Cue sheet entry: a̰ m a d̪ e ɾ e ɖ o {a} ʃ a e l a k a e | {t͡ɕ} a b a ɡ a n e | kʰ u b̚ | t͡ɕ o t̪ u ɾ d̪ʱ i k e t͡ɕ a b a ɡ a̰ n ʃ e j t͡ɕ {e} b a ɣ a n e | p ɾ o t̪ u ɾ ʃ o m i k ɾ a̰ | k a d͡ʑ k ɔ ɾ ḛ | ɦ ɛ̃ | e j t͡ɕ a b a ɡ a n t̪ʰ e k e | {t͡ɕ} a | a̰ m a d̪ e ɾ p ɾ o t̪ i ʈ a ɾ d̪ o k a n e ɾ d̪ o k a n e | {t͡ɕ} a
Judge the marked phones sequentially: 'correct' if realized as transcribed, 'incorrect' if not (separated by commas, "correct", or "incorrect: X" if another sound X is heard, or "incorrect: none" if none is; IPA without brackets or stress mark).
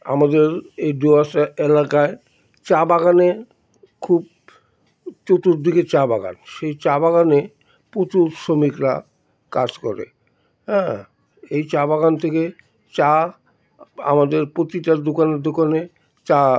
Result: correct, correct, incorrect: a, correct, correct